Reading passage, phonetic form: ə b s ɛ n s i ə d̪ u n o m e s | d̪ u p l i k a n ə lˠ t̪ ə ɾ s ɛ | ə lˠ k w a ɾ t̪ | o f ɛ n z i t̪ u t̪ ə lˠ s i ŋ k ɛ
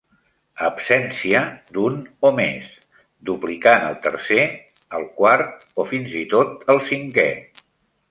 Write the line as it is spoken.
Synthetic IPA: ə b s ɛ n s i ə d̪ u n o m e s | d̪ u p l i k a n ə lˠ t̪ ə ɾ s e | ə lˠ k w a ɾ t̪ | o f i n z i t̪ o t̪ ə lˠ s i ŋ k ɛ

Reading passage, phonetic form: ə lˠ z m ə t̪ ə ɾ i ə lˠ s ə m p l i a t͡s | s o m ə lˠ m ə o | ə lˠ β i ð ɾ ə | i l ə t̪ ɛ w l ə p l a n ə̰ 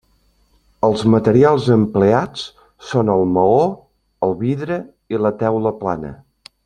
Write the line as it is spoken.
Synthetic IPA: ə lˠ z m ə t̪ ə ɾ i a lˠ z ə m p l e a t͡s | s o n ə lˠ m ə o | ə lˠ β i ð ɾ ə | i l ə t̪ ɛ w l ə p l a n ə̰

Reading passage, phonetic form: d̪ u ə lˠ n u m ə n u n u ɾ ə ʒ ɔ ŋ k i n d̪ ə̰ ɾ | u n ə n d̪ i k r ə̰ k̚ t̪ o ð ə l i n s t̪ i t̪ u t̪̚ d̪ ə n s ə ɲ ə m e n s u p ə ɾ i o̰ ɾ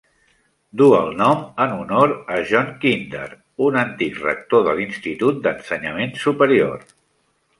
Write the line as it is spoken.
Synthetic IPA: d̪ u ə lˠ n ɔ m ə n u n o ɾ ə ʒ ɔ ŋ k i n d̪ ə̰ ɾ | u n ə n t̪ i k r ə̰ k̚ t̪ o ð ə l i n s t̪ i t̪ u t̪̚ d̪ ə n s ə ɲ ə m e n s u p ə ɾ i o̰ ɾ

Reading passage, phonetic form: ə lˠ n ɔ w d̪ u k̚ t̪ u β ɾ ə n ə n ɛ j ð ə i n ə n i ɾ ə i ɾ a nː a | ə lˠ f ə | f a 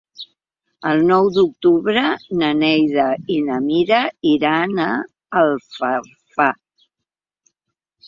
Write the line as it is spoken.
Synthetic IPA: ə lˠ n ɔ w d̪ u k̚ t̪ u β ɾ ə n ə n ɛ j ð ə i n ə m i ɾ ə i ɾ a n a | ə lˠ f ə | f a

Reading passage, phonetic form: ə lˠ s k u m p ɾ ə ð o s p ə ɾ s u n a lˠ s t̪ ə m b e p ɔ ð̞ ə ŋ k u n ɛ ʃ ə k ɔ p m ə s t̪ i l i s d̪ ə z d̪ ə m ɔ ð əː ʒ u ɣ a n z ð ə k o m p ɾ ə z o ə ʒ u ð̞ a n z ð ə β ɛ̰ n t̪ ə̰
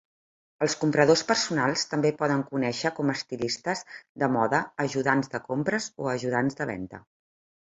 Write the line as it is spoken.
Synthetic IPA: ə lˠ s k u m p ɾ ə ð o s p ə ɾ s u n a lˠ s t̪ ə m b e p ɔ ð̞ ə ŋ k u n ɛ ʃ ə k ɔ m ə s t̪ i l i s t̪ ə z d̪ ə m ɔ ð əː ʒ u ð a n z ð ə k o m p ɾ ə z o ə ʒ u ð̞ a n z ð ə β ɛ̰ n t̪ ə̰

